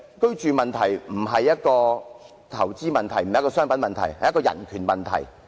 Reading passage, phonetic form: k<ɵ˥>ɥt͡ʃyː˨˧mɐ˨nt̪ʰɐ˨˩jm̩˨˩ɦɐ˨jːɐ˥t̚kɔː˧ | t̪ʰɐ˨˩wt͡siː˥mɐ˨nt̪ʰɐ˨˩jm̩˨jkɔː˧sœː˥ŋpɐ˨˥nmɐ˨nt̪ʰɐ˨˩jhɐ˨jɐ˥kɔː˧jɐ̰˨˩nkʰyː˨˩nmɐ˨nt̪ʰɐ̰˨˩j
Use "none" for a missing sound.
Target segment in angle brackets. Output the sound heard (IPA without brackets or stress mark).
ɵ˥